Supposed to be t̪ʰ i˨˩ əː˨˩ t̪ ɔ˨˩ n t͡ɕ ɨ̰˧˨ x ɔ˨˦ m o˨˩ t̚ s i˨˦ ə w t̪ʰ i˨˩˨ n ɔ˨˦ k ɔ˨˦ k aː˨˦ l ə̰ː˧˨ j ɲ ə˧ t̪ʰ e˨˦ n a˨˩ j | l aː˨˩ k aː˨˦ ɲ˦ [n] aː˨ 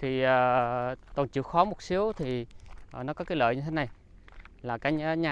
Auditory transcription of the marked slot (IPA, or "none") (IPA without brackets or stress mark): ɲ